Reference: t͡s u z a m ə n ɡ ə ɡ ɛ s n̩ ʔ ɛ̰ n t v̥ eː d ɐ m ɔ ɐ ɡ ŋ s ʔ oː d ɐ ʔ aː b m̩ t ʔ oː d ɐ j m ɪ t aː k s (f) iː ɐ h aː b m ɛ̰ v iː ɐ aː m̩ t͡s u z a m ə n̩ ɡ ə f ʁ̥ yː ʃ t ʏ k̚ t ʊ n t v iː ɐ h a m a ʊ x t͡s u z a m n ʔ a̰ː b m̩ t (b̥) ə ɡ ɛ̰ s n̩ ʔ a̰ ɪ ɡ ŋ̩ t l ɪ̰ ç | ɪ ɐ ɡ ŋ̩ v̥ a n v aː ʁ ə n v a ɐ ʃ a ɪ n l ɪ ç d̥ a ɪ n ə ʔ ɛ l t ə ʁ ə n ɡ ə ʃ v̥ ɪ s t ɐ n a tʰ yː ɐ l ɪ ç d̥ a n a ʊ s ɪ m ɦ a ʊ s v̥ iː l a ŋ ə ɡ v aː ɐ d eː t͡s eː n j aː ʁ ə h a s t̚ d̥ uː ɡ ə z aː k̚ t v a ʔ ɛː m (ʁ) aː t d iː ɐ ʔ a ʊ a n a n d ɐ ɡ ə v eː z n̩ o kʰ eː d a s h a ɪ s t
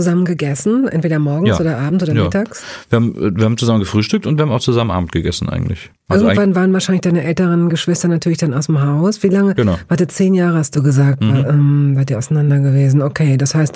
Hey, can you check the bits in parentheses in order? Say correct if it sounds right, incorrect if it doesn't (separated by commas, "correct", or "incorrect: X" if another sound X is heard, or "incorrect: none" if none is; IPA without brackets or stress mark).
incorrect: v, incorrect: ɡ̥, incorrect: v